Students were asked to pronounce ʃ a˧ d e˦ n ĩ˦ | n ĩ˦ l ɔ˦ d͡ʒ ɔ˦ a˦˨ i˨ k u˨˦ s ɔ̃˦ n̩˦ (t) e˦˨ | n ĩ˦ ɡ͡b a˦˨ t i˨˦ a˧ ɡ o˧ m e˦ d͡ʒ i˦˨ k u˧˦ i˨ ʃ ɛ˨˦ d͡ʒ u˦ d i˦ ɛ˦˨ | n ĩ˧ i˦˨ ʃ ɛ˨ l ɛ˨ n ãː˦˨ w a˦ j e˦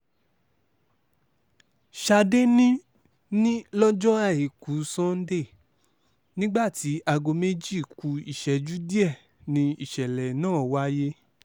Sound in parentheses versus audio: incorrect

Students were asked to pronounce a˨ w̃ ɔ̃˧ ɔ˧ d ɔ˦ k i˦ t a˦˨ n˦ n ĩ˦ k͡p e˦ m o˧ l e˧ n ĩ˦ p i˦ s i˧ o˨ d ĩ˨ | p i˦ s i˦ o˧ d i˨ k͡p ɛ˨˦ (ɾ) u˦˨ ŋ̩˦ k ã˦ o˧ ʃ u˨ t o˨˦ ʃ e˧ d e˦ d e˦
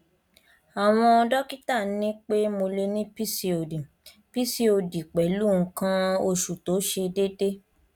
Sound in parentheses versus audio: incorrect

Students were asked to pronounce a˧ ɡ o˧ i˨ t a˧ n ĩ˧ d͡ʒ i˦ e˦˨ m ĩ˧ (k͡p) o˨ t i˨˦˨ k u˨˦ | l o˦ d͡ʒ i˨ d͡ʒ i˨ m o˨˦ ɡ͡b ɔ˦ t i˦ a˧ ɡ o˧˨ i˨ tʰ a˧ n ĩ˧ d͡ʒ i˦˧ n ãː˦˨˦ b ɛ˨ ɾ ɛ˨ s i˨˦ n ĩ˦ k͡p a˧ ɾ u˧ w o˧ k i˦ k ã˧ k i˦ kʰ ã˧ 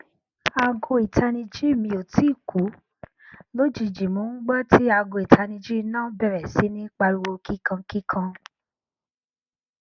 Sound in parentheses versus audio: incorrect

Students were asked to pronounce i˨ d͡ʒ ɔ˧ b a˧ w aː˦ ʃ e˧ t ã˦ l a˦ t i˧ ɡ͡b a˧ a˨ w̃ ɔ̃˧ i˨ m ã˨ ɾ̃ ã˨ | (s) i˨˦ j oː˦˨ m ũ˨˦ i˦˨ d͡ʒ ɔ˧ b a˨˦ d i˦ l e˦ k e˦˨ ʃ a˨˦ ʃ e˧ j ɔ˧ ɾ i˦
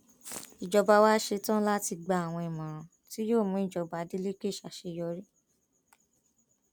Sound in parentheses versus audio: incorrect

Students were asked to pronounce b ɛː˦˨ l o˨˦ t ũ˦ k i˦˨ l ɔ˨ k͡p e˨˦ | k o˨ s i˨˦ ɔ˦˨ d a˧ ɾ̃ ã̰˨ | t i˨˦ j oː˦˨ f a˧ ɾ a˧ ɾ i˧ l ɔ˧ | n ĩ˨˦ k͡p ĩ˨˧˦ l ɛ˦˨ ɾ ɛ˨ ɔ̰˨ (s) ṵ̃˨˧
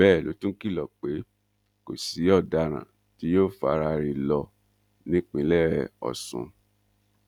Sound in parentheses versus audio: correct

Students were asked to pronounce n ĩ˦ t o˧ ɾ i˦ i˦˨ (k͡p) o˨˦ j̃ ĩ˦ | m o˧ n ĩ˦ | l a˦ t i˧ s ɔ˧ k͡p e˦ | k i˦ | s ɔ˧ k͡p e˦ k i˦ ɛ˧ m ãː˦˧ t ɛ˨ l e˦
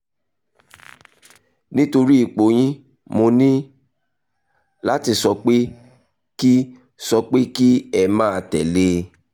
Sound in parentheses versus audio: correct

